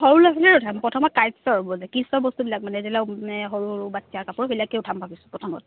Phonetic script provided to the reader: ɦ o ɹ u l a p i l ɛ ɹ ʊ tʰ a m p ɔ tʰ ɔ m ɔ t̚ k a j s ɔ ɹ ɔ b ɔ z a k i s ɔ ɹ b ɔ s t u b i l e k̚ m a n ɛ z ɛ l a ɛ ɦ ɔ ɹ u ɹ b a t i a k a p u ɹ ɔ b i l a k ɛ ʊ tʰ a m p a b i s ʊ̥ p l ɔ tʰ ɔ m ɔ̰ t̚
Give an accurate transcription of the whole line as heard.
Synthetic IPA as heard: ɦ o ɹ u l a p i l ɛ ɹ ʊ tʰ a m p ɔ tʰ ɔ m ɔ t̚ k a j s ɔ ɹ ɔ b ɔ z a k i s ɔ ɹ b ɔ s t u b i l a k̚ m a n ɛ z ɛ l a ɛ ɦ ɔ ɹ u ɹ b a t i a k a p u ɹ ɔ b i l a k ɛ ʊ tʰ a m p a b i s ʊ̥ p ɹ ɔ tʰ ɔ m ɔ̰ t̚